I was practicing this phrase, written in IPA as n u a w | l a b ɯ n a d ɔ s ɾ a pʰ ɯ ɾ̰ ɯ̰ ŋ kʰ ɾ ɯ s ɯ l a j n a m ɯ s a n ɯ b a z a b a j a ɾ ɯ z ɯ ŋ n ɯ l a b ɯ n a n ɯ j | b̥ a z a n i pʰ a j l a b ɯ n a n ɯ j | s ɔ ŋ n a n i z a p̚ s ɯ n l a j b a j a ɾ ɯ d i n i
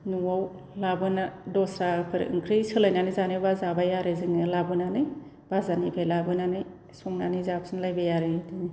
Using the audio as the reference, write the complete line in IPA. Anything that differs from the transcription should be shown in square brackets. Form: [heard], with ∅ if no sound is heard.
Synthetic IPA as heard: n u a w | l a b ɯ n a d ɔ s ɾ a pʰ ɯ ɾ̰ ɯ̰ ŋ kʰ ɾ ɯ s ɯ l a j n a [n] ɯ [z] a n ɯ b a z a b a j a ɾ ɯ z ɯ ŋ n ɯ l a b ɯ n a n ɯ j | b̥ a z a n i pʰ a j l a b ɯ n a n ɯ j | s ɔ ŋ n a n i z a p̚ s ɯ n l a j b a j a ɾ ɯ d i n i

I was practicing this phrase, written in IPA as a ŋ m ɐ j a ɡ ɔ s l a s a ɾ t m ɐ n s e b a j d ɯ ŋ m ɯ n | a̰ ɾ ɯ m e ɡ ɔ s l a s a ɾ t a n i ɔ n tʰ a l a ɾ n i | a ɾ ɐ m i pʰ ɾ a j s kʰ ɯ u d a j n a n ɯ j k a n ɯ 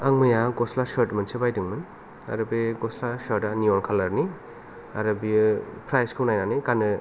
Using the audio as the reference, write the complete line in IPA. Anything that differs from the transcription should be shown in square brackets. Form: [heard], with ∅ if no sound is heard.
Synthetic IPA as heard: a ŋ m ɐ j a ɡ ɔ s l a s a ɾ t m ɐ n s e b a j d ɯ ŋ m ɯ n | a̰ ɾ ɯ [b] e ɡ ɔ s l a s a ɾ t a n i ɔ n [kʰ] a l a ɾ n i | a ɾ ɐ [b] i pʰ ɾ a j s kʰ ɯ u [n] a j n a n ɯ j k a n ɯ

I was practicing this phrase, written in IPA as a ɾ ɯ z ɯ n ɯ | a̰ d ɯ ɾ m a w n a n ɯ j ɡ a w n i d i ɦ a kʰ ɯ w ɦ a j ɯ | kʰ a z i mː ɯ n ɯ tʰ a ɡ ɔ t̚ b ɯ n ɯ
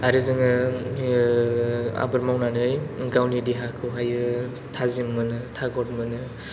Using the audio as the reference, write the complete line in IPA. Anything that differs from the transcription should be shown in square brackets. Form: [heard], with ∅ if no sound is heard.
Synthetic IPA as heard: a ɾ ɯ z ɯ [ŋ] ɯ | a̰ [b] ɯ ɾ m a w n a n ɯ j ɡ a w n i d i ɦ a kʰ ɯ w ɦ a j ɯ | [tʰ] a z i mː ɯ n ɯ tʰ a ɡ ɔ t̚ [m] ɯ n ɯ

